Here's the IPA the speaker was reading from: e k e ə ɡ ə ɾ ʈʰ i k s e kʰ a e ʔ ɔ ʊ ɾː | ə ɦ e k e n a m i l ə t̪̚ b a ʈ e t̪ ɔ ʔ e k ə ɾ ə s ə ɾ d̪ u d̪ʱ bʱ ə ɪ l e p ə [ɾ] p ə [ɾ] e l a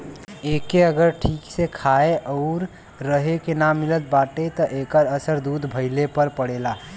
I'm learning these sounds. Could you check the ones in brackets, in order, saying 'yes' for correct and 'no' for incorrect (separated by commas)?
yes, no